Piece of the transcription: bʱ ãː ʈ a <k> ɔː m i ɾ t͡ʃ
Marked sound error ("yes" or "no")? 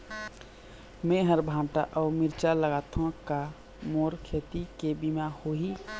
yes